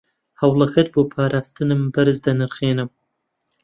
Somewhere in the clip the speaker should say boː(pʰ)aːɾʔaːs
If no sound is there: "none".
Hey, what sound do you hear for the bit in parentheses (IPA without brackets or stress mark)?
pʰ